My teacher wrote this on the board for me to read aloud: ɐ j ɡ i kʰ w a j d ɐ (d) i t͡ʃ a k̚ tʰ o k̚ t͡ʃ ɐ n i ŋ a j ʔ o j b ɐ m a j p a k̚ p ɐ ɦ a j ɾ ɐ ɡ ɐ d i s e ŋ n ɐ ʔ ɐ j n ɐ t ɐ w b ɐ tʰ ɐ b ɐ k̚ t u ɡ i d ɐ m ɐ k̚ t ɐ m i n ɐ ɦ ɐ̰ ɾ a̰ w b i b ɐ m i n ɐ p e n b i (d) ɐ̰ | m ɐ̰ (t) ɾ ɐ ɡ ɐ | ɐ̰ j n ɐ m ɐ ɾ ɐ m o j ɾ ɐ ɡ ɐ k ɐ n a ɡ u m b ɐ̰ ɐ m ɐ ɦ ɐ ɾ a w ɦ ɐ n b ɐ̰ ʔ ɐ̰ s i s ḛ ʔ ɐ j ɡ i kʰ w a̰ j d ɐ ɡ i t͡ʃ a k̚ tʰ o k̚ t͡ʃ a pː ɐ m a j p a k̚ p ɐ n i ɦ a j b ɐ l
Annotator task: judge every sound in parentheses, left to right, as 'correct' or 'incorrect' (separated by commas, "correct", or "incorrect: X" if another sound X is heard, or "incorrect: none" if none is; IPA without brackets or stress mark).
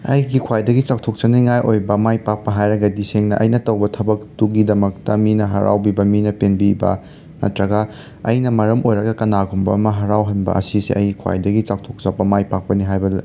incorrect: ɡ, incorrect: b, correct